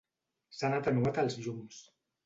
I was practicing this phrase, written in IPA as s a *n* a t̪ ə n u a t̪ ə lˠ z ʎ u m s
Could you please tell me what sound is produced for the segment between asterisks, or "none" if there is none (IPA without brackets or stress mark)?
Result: n